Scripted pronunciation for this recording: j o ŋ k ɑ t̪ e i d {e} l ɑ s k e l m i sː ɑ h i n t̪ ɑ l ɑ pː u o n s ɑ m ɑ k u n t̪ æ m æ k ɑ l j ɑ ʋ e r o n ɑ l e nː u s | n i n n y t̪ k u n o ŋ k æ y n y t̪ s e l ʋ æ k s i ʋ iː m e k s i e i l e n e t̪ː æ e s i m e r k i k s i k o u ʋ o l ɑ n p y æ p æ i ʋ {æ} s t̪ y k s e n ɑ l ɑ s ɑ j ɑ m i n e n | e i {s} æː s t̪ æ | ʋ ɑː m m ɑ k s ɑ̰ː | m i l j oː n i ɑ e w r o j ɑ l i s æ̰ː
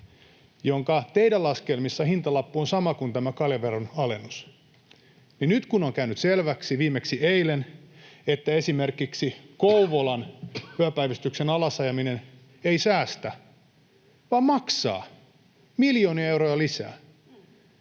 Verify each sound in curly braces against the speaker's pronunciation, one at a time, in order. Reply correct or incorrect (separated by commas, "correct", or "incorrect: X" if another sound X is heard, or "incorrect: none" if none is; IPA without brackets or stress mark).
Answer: incorrect: æ, incorrect: i, correct